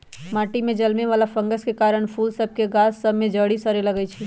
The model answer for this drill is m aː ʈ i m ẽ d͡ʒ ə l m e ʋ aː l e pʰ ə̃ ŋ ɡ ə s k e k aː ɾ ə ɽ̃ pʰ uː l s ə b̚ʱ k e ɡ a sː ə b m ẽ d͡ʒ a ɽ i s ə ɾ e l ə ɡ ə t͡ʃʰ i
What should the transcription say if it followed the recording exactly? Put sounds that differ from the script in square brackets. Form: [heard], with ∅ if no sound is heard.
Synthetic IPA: m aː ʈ i m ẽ d͡ʒ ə l m e ʋ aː l [a] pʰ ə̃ ŋ ɡ ə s k e k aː ɾ ə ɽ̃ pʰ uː l s ə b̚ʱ k e ɡ a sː ə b m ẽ d͡ʒ [ə] ɽ i s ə ɾ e l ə ɡ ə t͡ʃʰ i